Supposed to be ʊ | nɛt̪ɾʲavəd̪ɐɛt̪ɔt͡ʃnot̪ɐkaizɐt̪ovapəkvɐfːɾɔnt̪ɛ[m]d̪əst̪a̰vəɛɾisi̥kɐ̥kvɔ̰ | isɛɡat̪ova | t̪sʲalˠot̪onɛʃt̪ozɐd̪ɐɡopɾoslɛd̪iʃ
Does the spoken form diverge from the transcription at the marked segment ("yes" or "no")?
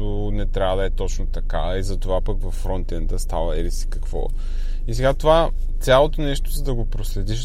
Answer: yes